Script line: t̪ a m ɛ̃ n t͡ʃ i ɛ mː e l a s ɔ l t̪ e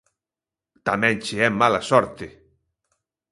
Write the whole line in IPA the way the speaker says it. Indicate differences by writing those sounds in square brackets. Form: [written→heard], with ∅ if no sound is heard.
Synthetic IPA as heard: t̪ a m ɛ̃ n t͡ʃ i ɛ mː [e→a] l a s ɔ [l→ɾ] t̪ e

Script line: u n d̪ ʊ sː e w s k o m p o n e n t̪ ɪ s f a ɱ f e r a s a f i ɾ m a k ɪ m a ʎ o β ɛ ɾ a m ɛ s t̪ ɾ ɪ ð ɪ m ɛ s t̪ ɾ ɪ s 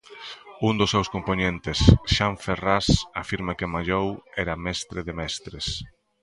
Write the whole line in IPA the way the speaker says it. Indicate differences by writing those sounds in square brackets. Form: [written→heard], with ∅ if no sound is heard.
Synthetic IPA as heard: u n d̪ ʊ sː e w s k o m p o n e n t̪ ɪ s [f→ʃ] a ɱ f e r a s a f i ɾ m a k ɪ m a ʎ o [β→w] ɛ ɾ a m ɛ s t̪ ɾ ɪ ð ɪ m ɛ s t̪ ɾ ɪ s

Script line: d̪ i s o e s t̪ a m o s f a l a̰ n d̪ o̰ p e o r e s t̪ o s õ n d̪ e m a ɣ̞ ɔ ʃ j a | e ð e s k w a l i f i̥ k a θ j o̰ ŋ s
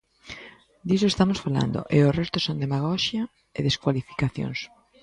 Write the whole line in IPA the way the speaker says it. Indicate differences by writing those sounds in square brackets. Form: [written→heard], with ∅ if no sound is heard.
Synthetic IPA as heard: d̪ i s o e s t̪ a m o s f a l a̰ n d̪ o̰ [p→ʔ] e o r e s t̪ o s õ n d̪ e m a ɣ̞ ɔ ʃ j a | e ð e s k w a l i f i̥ k a θ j o̰ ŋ s

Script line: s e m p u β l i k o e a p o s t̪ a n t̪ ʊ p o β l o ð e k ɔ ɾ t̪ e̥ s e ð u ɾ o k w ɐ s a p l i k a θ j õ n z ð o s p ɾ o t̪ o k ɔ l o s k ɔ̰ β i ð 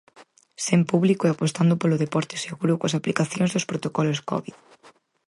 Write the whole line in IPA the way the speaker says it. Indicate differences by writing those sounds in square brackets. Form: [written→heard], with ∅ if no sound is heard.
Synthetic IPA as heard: s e m p u β l i k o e a p o s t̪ a n [t̪→d̪] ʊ p o [β→∅] l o ð e [k→p] ɔ ɾ t̪ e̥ s e [ð→ɣ] u ɾ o k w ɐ s a p l i k a θ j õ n z ð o s p ɾ o t̪ o k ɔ l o s k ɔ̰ β i ð

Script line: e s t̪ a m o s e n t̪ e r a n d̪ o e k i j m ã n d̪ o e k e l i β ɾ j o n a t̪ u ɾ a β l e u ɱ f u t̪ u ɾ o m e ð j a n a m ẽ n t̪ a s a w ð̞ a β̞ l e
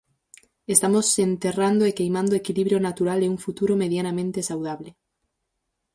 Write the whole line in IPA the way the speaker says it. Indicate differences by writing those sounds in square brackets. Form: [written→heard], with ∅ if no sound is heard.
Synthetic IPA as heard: e s t̪ a m o s e n t̪ e r a n d̪ o e k [i→e] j m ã n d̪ o e k [e→i] l i β ɾ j o n a t̪ u ɾ a [β→∅] l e u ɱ f u t̪ u ɾ o m e ð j a n a m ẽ n t̪ [a→e] s a w ð̞ a β̞ l e

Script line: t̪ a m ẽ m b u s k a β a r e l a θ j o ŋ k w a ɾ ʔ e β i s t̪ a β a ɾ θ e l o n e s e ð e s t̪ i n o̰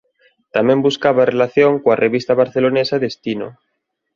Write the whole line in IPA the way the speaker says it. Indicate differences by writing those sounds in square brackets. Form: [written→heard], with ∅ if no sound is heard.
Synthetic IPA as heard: t̪ a m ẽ m b u s k a β a r e l a θ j o ŋ k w a [ɾ→r] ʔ e β i s t̪ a β a ɾ θ e l o n e s [e→a] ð e s t̪ i n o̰

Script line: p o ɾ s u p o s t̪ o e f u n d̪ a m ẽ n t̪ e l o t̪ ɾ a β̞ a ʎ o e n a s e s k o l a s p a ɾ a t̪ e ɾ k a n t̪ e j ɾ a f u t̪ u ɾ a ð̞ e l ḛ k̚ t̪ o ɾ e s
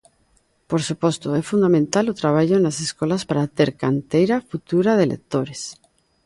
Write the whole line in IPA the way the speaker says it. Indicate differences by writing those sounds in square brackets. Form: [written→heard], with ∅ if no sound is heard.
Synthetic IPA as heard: p o ɾ s u p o s t̪ o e f u n d̪ a m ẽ n t̪ [e→a] l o t̪ ɾ a β̞ a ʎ o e n a s e s k o l a s p a ɾ a t̪ e ɾ k a n t̪ e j ɾ a f u t̪ u ɾ a ð̞ e l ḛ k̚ t̪ o ɾ e s

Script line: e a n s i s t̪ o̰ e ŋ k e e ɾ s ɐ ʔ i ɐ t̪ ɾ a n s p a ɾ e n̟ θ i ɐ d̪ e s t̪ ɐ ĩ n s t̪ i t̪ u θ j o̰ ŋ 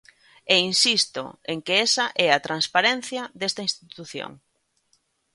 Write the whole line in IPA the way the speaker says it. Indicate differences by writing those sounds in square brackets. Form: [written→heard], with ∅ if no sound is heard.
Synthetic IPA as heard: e [a→i] n s i s t̪ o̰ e ŋ k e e [ɾ→∅] s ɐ ʔ [i→ɛ] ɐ t̪ ɾ a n s p a ɾ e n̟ θ [i→j] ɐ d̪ e s t̪ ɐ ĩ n s t̪ i t̪ u θ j o̰ ŋ

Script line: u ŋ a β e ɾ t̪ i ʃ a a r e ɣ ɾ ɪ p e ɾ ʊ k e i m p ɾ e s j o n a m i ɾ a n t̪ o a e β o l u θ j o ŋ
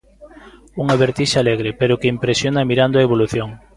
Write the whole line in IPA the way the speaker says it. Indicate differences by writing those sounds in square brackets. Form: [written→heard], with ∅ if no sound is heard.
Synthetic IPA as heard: u ŋ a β e ɾ t̪ i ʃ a a [r→l] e ɣ ɾ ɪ p e ɾ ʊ k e i m p ɾ e s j o n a m i ɾ a n [t̪→d̪] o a e β o l u θ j o ŋ

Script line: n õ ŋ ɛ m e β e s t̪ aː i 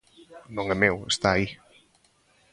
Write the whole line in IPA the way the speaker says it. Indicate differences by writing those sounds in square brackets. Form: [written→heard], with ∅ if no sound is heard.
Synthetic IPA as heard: n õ ŋ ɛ m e [β→w] e s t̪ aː i

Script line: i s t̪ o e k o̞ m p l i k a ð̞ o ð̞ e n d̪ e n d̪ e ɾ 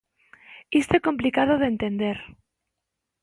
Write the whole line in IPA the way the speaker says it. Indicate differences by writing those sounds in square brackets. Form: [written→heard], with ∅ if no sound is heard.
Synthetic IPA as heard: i s t̪ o e k o̞ m p l i k a ð̞ o ð̞ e n [d̪→t̪] e n d̪ e ɾ

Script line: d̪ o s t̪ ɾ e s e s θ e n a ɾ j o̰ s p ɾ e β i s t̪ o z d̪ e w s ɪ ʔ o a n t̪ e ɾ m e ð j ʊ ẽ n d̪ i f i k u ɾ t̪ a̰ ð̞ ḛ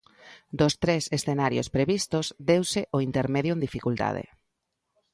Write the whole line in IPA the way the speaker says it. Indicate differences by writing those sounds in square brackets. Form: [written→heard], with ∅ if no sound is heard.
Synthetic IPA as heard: d̪ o s t̪ ɾ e s e s θ e n a ɾ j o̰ s p ɾ e β i s t̪ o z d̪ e w s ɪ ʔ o [a→i] n t̪ e ɾ m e ð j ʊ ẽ n d̪ i f i k u [ɾ→l] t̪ a̰ ð̞ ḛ

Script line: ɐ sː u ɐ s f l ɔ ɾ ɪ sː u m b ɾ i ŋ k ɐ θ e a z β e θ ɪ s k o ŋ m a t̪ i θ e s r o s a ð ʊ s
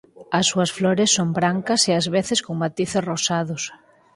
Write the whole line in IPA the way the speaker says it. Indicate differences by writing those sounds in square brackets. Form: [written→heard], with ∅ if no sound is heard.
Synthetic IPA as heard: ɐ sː u ɐ s f l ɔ ɾ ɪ sː [u→o] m b ɾ [i→a] ŋ k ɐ [θ→s] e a z β e θ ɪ s k o ŋ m a t̪ i θ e s r o s a ð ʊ s

